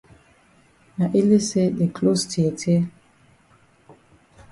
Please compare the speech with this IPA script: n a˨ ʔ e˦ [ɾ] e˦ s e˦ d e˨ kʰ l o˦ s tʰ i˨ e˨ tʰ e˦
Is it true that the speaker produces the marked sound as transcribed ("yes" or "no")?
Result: no